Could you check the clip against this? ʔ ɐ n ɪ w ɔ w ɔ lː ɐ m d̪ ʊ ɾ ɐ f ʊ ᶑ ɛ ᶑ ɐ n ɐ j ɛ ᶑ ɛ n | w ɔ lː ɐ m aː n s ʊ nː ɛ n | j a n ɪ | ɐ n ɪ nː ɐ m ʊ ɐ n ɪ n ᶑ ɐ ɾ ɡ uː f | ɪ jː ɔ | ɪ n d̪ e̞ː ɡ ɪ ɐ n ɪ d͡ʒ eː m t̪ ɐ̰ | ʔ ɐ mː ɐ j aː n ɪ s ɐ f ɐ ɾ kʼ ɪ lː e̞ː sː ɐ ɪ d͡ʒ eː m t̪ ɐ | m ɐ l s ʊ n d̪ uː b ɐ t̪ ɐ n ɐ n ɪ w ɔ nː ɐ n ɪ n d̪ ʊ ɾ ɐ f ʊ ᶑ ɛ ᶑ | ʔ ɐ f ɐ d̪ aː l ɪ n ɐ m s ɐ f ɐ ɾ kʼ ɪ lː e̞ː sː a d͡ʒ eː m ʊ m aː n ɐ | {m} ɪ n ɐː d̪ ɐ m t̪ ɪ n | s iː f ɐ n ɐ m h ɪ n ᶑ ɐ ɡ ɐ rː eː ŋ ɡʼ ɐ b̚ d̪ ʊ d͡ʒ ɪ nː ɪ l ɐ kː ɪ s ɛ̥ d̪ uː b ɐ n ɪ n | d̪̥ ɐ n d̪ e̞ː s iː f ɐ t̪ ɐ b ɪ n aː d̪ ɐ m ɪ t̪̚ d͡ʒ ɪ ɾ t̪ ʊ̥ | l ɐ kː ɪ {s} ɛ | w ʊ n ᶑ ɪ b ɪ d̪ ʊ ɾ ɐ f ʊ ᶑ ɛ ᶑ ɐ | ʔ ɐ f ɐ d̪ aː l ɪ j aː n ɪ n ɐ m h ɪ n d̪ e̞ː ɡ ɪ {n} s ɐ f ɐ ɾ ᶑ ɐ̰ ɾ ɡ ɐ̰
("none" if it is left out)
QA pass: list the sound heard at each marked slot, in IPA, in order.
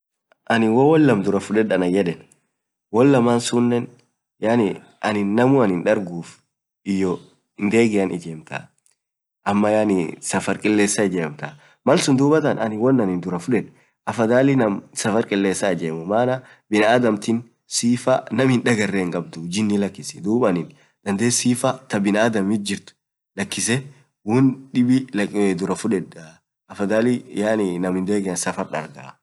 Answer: b, s, n

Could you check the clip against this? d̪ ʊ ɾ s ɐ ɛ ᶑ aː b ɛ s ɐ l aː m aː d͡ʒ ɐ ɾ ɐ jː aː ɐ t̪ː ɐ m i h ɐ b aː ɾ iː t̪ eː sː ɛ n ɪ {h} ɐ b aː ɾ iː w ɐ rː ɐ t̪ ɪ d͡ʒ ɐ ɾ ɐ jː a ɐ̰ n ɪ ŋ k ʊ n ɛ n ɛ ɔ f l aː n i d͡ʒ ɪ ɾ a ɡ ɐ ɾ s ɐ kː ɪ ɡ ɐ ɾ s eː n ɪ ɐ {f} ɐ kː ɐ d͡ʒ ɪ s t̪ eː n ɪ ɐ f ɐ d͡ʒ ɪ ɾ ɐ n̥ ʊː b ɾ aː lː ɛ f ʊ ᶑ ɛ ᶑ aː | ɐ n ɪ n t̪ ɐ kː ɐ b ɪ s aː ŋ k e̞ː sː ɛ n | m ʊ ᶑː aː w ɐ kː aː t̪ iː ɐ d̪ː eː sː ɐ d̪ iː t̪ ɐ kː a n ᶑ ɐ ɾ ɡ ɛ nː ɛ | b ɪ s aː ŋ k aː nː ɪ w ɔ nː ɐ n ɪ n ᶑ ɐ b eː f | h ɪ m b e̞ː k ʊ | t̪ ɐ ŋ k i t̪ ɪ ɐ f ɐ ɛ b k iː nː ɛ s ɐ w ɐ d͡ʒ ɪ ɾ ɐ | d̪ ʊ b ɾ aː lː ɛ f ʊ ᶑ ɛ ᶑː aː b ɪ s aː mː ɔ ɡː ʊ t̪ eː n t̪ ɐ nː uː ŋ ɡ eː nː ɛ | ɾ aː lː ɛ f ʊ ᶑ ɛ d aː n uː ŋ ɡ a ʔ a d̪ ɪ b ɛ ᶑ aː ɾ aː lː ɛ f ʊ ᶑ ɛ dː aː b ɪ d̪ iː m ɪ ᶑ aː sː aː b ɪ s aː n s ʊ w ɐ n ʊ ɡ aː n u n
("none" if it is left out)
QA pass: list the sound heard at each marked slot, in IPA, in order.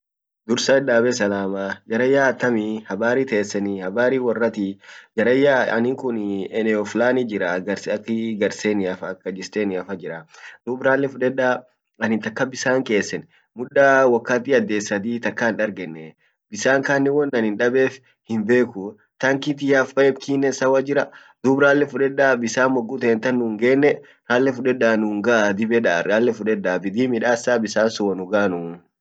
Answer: h, f

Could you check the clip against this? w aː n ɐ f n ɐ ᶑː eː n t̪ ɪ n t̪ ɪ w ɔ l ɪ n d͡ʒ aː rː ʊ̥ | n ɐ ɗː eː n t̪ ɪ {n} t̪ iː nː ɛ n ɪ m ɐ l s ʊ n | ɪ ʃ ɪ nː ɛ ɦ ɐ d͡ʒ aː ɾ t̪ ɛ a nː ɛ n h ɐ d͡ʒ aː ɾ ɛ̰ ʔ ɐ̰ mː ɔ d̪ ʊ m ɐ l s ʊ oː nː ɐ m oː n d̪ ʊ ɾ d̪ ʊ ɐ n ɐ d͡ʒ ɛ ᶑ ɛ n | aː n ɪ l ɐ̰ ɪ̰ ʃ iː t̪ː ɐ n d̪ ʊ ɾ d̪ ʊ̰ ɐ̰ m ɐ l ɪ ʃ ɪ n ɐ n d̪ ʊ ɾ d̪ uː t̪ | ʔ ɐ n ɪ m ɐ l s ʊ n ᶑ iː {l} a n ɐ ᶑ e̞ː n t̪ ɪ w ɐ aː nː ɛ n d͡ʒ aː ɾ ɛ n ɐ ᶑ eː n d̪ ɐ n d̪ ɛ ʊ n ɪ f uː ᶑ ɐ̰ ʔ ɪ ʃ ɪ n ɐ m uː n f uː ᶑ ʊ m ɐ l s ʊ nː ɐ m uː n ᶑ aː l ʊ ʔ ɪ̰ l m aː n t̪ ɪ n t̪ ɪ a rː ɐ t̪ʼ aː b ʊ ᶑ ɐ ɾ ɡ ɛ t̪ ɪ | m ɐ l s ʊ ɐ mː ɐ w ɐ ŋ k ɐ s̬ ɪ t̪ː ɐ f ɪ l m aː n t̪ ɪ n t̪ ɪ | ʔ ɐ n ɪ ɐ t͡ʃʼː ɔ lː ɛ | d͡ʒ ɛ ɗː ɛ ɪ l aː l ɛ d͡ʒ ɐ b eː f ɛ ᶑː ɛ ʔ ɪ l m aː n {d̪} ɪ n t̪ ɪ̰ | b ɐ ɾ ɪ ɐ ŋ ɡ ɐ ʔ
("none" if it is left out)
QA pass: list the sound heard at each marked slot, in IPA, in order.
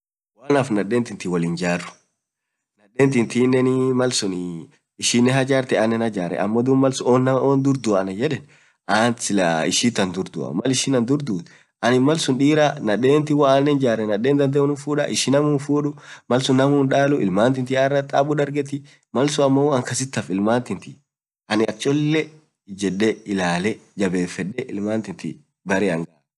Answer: n, ɾ, t̪

